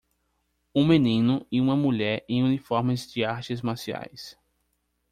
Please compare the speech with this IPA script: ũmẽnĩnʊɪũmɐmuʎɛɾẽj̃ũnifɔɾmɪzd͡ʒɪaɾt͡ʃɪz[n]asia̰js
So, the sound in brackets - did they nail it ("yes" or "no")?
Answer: no